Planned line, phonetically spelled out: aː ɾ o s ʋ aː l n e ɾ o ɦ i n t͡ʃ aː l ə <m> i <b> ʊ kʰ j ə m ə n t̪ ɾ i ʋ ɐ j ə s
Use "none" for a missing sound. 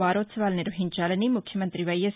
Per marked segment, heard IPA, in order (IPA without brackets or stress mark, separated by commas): n, m